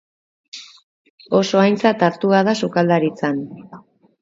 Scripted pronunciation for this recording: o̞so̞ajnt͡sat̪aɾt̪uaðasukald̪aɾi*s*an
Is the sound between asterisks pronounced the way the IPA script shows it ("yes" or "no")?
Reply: no